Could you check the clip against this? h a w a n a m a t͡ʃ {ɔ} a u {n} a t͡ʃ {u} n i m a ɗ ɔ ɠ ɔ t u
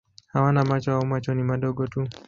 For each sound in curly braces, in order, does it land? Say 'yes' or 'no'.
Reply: yes, no, no

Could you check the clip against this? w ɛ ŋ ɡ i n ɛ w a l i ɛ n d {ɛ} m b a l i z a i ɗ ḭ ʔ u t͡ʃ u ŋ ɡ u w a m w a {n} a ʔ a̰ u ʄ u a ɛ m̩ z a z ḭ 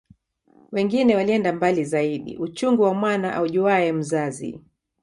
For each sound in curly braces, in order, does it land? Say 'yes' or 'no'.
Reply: no, yes

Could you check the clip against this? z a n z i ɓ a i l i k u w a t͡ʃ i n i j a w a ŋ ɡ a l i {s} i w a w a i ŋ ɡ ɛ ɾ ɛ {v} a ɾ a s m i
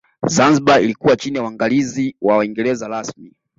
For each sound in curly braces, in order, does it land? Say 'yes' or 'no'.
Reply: no, no

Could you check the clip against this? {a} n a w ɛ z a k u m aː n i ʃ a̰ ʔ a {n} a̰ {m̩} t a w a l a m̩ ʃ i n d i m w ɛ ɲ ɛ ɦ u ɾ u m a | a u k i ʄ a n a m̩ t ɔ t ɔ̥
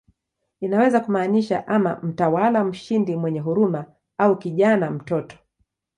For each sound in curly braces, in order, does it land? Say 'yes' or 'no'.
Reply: no, no, yes

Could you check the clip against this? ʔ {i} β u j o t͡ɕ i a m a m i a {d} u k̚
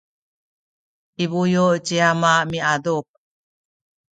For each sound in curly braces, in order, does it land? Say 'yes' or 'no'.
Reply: yes, yes

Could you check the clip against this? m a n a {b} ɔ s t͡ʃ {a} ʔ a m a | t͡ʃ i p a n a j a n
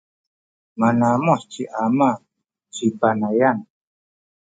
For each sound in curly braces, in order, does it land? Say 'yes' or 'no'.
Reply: no, no

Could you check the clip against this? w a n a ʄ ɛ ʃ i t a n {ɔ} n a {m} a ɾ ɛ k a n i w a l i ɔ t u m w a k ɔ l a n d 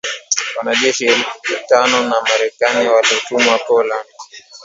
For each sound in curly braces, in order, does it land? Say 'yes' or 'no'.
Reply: yes, yes

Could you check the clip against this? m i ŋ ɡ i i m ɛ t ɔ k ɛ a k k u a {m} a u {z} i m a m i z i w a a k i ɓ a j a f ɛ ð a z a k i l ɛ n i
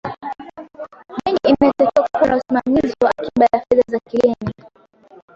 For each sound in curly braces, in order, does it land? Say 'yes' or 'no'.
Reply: no, no

